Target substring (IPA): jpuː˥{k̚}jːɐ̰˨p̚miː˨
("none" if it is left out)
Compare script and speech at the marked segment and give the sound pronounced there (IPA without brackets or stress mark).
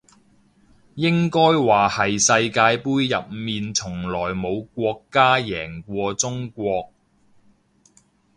none